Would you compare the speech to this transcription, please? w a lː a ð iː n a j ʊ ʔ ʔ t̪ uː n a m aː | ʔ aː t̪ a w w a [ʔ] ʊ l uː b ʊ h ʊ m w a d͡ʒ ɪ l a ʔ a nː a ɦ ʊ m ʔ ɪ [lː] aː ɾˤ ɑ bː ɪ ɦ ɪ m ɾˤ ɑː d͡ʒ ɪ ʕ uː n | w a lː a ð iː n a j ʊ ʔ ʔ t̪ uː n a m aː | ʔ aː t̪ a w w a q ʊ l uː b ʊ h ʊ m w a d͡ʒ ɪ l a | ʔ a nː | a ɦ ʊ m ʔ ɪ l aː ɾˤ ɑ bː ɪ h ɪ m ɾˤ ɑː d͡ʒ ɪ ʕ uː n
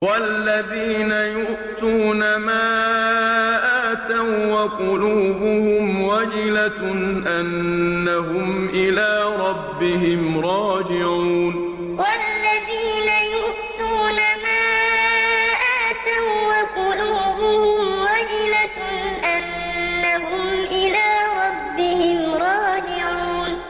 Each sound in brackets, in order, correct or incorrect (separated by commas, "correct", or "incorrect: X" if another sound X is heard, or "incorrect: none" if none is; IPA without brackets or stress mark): incorrect: q, incorrect: l